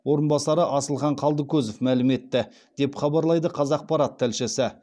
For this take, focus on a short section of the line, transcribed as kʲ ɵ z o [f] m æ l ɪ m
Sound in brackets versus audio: correct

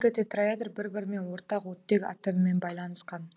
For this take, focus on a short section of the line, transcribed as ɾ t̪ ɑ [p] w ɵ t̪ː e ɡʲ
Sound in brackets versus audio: incorrect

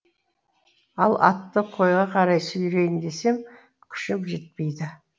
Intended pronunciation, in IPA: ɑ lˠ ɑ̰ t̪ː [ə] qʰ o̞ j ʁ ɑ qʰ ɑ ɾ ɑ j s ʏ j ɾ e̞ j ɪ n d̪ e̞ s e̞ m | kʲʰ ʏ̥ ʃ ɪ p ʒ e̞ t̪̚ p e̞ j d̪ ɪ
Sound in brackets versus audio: correct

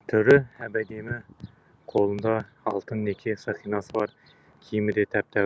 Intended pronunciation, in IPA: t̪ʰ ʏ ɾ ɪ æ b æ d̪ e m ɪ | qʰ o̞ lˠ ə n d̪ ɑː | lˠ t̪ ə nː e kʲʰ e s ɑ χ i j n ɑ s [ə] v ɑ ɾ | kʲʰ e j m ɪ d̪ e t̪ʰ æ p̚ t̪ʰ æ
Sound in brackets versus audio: correct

